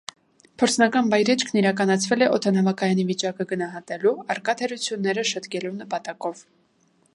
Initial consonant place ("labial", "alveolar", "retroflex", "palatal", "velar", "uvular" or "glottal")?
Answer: labial